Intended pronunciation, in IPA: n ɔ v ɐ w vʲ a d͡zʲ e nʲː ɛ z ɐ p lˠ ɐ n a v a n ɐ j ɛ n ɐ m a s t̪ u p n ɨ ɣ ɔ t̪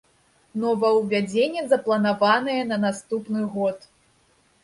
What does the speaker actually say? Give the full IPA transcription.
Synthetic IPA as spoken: n ɔ v ɐ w vʲ a d͡zʲ e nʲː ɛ z ɐ p lˠ ɐ n a v a n ɐ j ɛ n ɐ n a s t̪ u p n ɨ ɣ ɔ t̪